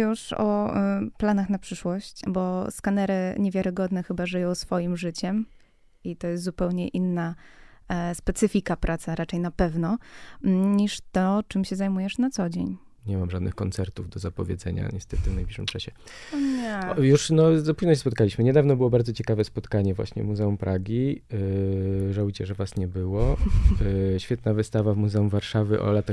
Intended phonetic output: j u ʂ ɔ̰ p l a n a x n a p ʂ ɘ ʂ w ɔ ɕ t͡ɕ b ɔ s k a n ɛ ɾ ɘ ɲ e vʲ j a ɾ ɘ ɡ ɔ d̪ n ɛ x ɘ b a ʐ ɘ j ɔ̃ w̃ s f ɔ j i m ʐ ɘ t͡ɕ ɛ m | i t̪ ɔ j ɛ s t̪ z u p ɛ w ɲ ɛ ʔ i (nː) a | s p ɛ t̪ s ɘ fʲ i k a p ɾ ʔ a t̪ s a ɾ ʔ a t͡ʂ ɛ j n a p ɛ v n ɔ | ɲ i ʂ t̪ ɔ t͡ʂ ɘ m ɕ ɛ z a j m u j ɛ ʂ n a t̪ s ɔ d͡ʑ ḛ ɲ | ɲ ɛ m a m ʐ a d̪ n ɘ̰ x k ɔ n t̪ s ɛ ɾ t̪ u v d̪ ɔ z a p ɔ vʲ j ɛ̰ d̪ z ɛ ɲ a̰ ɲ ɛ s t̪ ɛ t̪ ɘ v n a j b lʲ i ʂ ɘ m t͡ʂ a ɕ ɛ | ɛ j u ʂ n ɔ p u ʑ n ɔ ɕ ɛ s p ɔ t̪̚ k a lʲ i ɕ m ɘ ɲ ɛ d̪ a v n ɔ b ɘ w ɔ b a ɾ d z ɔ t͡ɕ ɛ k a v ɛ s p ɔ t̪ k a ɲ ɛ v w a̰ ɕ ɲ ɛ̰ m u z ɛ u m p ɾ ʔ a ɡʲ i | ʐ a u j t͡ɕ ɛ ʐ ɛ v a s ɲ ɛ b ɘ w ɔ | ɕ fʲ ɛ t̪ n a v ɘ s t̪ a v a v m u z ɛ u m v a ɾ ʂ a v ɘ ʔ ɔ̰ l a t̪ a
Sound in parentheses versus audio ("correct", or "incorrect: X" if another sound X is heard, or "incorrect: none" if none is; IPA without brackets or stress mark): correct